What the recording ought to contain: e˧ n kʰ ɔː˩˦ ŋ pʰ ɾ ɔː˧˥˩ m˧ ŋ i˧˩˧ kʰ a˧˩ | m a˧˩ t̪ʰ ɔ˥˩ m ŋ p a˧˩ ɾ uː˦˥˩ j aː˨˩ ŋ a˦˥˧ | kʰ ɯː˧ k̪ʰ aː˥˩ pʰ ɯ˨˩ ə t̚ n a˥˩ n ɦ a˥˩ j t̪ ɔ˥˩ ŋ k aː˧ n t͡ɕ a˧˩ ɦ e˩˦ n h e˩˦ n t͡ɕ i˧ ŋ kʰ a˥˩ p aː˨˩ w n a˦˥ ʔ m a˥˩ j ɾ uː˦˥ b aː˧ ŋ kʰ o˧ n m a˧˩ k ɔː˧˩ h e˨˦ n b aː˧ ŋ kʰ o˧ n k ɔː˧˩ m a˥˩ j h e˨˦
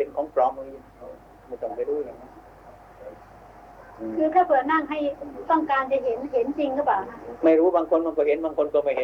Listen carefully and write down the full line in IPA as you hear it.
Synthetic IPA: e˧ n kʰ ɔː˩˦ ŋ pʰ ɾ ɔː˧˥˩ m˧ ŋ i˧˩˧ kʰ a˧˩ | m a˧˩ t̪ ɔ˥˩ ŋ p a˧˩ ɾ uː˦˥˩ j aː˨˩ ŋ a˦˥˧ | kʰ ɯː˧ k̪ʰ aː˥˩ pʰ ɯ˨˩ ə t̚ n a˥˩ ŋ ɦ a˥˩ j t̪ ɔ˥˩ ŋ k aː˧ n t͡ɕ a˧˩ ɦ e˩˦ n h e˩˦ n t͡ɕ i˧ ŋ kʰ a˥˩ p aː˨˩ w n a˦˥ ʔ m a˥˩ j ɾ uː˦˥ b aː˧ ŋ kʰ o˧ n m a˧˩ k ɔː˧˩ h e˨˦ n b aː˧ ŋ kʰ o˧ n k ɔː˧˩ m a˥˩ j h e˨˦